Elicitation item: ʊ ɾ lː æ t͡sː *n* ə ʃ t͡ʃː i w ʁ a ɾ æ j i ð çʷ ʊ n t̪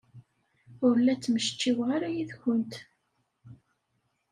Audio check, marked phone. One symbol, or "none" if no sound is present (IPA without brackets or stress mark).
m